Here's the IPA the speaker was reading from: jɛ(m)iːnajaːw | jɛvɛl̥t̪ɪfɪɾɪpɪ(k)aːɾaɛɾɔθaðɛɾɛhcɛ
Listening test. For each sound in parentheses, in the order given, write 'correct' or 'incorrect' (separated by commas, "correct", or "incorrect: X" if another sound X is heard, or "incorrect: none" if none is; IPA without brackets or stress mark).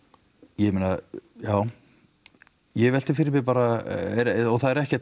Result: correct, incorrect: p